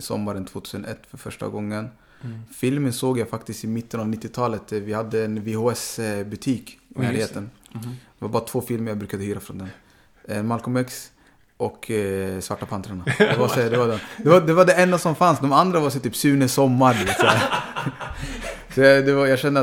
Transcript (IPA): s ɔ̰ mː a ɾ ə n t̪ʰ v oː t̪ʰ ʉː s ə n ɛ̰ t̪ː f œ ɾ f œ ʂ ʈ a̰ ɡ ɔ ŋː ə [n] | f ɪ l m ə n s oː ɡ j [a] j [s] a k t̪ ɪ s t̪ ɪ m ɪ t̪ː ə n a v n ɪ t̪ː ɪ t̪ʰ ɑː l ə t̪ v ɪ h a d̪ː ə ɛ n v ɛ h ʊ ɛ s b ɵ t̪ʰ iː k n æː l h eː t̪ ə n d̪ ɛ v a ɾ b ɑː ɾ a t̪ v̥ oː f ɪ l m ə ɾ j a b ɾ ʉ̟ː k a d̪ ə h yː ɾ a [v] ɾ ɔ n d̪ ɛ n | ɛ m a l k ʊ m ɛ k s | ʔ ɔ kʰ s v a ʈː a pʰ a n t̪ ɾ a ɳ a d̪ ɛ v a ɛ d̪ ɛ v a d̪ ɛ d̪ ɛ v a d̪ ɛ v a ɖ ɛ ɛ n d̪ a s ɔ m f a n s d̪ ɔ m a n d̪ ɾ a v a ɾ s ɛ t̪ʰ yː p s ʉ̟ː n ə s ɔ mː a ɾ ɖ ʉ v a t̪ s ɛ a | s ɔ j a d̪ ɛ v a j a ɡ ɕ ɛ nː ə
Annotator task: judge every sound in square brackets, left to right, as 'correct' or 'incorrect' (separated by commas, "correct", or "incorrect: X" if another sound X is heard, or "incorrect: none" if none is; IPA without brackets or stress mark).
correct, correct, incorrect: f, incorrect: f